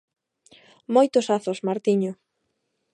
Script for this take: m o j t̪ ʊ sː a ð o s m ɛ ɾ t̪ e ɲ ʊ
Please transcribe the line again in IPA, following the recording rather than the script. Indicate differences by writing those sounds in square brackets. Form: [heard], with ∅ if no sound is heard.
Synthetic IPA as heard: m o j t̪ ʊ [s] a [θ] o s m [a] ɾ t̪ [i] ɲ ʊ